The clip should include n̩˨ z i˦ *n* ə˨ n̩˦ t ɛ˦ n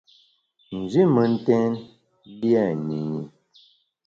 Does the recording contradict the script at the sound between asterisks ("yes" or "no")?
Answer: yes